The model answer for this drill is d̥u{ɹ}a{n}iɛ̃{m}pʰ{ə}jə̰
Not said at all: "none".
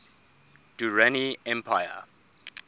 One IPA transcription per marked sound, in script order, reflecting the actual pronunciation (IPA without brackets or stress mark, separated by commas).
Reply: ɹ, n, m, a